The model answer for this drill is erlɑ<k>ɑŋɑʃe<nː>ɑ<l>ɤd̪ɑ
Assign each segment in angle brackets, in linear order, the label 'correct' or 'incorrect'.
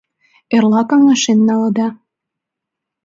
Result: correct, correct, correct

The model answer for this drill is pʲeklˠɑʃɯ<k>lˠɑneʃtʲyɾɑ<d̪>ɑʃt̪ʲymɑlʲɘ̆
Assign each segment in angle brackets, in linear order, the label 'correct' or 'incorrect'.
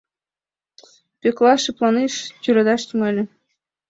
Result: incorrect, correct

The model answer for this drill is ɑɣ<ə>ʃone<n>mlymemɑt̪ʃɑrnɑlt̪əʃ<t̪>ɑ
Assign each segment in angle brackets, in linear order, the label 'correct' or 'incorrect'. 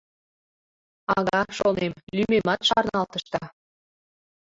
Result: incorrect, incorrect, correct

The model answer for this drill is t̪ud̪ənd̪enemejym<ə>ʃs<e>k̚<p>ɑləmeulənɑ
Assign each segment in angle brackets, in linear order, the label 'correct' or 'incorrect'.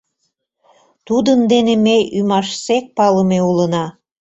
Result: incorrect, correct, correct

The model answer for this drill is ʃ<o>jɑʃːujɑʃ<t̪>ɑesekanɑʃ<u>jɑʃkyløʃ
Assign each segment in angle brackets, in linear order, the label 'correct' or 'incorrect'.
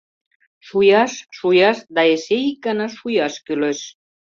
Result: incorrect, incorrect, correct

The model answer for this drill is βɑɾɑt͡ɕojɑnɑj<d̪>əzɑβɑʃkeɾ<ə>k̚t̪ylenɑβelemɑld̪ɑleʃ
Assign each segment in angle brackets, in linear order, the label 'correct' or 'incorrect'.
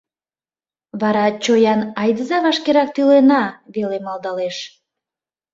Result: correct, incorrect

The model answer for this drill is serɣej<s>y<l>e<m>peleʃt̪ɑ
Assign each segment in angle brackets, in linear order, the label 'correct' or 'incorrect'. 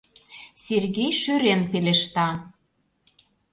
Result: incorrect, incorrect, incorrect

